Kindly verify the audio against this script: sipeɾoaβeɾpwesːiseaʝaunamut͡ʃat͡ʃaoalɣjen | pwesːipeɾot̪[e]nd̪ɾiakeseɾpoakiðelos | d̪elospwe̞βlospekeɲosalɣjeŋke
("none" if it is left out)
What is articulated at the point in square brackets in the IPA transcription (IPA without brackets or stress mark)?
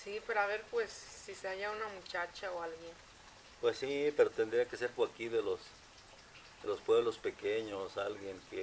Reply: e